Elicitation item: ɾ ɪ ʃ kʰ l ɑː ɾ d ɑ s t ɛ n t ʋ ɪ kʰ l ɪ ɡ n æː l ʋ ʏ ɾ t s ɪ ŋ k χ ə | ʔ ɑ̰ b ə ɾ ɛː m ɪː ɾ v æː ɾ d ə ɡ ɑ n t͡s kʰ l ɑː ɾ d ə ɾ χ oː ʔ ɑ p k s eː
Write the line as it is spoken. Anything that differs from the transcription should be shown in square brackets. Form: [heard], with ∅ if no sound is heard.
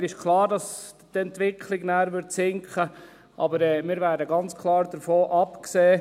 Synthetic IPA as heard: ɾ ɪ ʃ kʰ l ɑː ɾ d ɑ s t ɛ n t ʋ ɪ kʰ l ɪ ɡ n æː [ɾ] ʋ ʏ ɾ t s ɪ ŋ k χ ə | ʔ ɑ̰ b ə ɾ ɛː m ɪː ɾ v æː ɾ d ə ɡ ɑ n t͡s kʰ l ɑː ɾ d ə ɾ [f] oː ʔ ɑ p k s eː